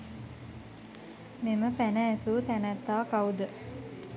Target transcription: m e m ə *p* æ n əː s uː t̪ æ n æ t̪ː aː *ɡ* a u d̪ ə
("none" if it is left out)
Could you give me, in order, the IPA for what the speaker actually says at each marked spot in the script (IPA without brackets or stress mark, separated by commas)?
p, k